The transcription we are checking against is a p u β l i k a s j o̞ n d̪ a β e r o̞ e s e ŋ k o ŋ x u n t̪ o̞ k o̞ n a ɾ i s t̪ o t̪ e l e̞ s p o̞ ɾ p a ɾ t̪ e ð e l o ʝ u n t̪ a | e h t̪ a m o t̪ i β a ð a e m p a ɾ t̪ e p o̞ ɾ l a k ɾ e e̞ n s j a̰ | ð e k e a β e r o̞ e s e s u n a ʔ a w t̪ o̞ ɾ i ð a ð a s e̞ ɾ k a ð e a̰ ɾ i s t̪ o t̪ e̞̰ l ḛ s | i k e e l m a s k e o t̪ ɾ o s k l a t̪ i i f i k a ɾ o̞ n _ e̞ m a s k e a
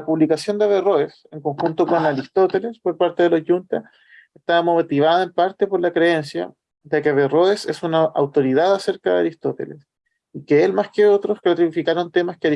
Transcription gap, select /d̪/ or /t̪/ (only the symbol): t̪